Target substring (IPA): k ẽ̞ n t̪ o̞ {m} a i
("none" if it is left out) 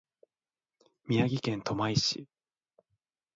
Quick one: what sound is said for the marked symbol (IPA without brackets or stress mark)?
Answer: m